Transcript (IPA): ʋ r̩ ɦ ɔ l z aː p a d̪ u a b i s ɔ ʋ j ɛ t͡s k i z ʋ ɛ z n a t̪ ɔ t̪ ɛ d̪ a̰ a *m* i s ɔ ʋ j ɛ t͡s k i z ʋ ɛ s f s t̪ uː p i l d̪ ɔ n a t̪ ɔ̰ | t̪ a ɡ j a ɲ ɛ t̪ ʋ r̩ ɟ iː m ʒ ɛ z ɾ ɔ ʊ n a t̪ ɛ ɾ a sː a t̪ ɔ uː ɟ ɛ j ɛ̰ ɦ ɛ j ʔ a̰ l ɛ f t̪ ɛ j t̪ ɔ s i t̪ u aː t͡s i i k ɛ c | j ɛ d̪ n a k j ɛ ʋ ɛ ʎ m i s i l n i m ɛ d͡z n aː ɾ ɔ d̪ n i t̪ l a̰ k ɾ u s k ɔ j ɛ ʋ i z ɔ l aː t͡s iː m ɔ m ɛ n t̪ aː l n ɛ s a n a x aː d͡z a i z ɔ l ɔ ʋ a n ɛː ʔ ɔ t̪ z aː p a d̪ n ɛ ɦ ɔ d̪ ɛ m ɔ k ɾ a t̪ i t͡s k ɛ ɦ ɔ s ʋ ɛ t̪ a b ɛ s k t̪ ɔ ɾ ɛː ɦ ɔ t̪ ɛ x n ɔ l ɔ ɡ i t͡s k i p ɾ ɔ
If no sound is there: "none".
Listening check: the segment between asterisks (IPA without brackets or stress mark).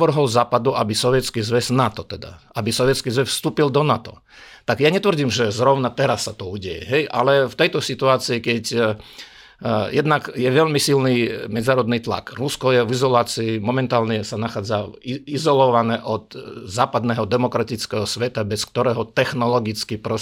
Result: b